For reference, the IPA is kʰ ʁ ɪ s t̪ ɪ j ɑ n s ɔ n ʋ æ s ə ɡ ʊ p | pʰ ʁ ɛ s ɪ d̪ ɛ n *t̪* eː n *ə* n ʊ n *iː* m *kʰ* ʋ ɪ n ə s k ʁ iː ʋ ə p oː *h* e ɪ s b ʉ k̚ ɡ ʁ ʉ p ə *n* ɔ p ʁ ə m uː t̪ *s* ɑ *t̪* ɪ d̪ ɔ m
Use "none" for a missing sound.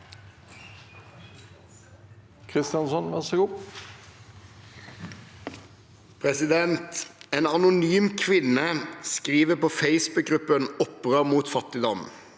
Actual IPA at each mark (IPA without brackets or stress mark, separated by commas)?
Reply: t̪, ɑ, yː, kʰ, f, n, f, t̪